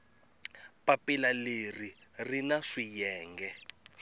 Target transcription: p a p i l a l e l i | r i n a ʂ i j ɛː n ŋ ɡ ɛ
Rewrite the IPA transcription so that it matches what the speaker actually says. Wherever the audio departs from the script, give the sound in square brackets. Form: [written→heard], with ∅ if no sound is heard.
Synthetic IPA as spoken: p a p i l a l e [l→r] i | r i n a ʂ i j ɛː [n→∅] ŋ ɡ ɛ